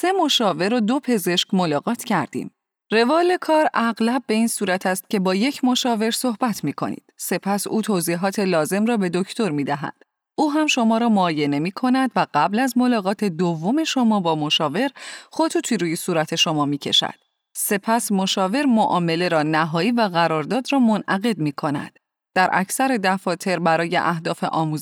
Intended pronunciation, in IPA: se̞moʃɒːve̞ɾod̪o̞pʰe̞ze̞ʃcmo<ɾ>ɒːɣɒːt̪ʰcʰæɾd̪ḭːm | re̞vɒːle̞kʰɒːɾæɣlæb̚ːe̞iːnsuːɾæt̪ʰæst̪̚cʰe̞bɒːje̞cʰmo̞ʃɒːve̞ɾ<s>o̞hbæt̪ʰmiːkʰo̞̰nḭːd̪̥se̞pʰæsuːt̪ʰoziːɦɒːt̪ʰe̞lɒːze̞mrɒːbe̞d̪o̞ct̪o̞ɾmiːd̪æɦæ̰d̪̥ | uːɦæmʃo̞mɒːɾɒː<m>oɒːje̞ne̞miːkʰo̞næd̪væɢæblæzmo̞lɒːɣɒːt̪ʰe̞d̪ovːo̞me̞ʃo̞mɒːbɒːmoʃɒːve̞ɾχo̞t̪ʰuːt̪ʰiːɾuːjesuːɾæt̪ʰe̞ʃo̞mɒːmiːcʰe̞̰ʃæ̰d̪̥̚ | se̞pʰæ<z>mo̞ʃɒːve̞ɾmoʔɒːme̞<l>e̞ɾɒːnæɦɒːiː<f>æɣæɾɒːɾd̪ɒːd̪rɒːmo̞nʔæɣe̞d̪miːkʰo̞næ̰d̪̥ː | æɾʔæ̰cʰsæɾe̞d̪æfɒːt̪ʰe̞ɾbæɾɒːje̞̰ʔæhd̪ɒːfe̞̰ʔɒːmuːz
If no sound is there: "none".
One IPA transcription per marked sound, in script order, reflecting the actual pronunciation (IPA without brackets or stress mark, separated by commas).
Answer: l, s, m, s, l, v